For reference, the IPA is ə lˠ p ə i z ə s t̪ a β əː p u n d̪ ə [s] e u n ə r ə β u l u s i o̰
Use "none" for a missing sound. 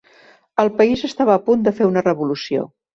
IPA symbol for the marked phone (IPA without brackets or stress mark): f